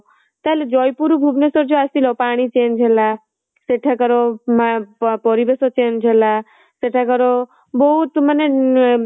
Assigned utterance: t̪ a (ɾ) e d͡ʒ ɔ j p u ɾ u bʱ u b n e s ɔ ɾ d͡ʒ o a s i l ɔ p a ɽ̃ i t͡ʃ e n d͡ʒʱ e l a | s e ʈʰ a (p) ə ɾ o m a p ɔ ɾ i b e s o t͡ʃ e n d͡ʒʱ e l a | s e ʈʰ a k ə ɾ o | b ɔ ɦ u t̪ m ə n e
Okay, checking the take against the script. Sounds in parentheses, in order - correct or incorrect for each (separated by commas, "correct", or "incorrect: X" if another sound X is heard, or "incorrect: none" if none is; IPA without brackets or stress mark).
incorrect: l, incorrect: k